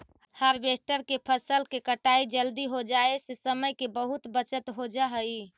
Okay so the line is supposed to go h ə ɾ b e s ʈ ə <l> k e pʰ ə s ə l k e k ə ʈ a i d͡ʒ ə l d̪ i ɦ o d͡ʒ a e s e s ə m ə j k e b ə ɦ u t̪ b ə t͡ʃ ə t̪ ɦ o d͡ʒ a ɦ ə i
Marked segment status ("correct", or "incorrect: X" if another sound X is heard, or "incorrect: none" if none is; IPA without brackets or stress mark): incorrect: ɾ